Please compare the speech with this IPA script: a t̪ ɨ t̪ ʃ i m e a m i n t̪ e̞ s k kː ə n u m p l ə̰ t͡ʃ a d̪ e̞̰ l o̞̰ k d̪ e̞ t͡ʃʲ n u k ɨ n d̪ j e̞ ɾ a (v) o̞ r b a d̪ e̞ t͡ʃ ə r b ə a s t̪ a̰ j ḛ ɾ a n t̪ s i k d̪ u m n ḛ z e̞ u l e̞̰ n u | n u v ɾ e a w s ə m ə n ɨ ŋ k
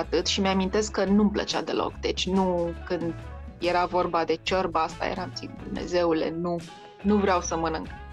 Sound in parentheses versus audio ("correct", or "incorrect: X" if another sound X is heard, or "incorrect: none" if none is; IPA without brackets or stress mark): correct